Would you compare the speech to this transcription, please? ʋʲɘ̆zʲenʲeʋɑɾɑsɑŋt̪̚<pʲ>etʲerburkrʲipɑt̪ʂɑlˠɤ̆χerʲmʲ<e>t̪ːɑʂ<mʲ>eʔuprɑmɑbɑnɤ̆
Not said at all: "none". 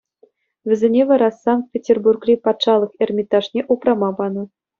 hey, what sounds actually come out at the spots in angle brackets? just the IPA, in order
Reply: pʲ, i, nʲ

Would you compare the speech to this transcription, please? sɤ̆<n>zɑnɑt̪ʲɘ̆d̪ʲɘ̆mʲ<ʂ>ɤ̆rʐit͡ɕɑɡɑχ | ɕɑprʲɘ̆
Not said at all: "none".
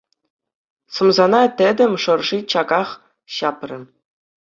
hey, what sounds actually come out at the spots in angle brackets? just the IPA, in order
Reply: m, ʂ

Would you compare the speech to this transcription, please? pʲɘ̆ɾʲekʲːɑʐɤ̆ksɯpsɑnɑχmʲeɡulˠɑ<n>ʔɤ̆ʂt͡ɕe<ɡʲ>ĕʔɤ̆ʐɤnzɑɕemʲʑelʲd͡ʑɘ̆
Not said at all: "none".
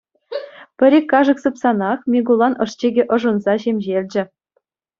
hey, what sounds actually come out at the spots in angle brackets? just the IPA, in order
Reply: n, ɡʲ

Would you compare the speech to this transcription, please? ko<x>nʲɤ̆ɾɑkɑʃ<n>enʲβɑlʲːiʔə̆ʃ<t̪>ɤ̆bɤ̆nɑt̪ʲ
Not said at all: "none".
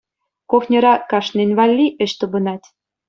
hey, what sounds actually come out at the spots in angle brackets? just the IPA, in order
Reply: x, n, t̪

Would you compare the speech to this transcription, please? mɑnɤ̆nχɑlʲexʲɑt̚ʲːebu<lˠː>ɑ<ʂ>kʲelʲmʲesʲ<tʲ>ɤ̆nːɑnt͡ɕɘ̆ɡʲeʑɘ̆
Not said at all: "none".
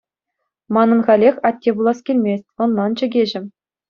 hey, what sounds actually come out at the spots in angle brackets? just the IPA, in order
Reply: lˠ, s, tʲ

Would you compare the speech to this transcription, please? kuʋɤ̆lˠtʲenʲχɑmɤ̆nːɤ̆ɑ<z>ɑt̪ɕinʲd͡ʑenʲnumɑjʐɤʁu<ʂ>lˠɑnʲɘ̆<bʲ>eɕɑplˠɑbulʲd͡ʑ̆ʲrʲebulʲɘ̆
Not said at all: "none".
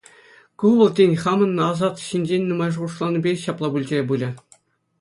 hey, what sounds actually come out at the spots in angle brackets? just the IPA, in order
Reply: z, ʂ, bʲ

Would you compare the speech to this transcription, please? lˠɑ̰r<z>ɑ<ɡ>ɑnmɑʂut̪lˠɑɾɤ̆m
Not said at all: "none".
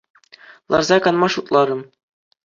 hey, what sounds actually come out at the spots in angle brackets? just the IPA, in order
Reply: z, k

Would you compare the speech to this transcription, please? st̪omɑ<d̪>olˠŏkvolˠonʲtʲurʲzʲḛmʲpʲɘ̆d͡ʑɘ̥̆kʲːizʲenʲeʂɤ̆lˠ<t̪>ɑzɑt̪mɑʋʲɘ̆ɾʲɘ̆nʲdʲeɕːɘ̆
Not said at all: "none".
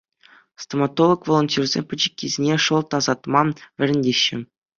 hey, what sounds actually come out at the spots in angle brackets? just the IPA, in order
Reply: t̪, t̪

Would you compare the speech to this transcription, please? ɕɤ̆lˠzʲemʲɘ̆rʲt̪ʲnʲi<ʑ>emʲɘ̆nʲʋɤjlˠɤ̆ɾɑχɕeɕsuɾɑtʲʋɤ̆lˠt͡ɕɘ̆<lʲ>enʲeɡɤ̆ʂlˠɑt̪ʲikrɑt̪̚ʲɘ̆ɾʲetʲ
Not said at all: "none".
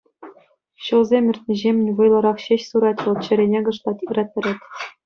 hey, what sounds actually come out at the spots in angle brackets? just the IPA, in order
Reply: ʑ, ɾʲ

